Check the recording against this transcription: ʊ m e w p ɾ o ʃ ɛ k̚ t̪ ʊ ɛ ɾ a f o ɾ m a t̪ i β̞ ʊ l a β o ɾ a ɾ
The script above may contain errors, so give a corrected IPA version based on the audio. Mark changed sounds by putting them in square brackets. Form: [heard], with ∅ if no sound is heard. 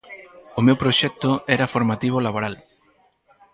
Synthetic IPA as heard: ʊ m e w p ɾ o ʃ ɛ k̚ t̪ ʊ ɛ ɾ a f o ɾ m a t̪ i β̞ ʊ l a β o ɾ a [l]